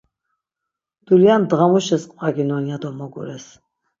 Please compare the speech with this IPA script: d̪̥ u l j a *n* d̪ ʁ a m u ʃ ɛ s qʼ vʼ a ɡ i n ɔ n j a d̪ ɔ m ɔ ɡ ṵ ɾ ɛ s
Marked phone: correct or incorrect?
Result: correct